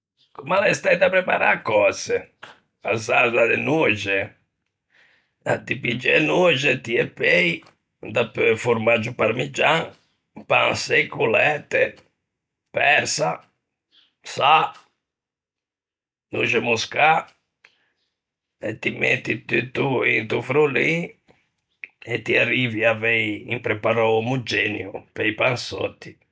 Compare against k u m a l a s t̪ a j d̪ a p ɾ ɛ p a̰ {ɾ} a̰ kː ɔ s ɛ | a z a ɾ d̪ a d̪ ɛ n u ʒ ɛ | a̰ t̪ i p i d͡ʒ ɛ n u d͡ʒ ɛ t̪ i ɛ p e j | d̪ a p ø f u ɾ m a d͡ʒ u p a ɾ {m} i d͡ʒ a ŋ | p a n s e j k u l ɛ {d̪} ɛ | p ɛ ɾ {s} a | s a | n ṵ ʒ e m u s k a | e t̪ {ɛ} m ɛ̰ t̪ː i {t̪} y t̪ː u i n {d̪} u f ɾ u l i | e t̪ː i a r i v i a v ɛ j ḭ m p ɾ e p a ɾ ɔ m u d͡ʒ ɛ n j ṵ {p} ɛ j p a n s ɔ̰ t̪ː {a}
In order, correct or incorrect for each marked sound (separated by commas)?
correct, correct, incorrect, correct, incorrect, correct, incorrect, correct, incorrect